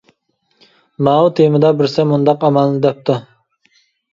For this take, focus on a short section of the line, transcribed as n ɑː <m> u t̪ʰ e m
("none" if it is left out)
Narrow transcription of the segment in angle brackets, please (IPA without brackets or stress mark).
none